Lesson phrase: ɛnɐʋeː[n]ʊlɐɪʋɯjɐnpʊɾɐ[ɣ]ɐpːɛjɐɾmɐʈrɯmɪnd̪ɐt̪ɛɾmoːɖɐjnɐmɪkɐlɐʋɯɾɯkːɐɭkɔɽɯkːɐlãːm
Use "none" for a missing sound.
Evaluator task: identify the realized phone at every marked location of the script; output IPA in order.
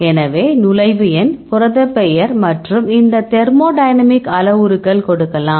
n, ð

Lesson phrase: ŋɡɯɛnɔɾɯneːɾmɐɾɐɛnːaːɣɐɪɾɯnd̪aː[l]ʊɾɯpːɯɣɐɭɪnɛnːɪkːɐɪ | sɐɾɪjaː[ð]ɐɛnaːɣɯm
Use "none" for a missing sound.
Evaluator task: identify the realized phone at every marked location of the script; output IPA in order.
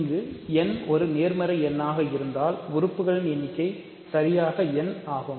l, ɣ

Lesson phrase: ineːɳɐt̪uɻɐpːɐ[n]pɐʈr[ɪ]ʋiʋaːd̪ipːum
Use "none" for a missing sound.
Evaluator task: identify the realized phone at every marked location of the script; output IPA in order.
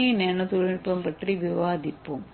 m, i

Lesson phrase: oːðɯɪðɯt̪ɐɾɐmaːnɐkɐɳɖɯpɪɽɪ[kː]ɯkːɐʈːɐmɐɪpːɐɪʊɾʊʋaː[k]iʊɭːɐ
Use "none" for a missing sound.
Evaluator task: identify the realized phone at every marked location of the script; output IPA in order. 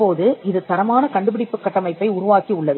pː, k

